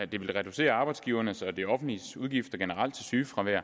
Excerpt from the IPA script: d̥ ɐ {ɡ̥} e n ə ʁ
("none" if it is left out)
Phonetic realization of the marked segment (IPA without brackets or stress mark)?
ɡ̥